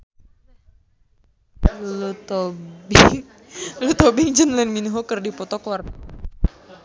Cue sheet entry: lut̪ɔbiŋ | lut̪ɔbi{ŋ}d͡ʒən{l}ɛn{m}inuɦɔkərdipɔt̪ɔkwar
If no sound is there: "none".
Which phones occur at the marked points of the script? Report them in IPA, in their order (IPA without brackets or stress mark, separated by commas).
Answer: ŋ, l, m